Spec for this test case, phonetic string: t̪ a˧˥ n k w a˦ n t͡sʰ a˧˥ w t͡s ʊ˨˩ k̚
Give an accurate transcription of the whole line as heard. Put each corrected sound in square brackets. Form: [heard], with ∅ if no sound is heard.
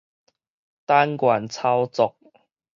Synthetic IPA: t̪ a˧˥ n k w [a˨˩] n t͡sʰ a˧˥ w t͡s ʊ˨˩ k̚

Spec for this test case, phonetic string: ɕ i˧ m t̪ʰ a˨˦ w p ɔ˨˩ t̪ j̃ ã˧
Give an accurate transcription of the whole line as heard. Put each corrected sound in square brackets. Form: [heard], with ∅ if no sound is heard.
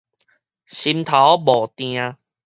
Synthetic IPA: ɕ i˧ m t̪ʰ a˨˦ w [b] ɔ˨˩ t̪ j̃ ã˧

